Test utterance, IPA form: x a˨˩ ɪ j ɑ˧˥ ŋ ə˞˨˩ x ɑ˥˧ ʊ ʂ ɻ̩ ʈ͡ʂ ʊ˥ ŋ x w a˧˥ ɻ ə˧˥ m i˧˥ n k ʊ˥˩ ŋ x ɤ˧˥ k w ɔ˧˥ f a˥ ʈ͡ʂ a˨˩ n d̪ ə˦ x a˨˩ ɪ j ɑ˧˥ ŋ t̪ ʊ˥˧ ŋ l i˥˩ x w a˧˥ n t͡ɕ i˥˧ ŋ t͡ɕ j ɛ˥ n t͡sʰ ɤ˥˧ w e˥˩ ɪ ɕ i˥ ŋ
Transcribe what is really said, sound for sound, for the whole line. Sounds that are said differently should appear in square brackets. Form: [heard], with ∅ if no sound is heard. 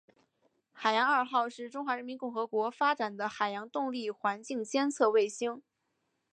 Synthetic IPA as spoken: x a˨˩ ɪ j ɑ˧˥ ŋ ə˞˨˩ x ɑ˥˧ ʊ ʂ ɻ̩ ʈ͡ʂ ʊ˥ ŋ x w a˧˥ ɻ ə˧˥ m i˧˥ n k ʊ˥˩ ŋ x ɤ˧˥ k w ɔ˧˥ f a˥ ʈ͡ʂ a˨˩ n d̪ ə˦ x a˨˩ ɪ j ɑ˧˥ ŋ t̪ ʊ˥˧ ŋ l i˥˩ x w a˧˥ n t͡ɕ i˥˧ ŋ t͡ɕ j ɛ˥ n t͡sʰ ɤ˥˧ w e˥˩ ɪ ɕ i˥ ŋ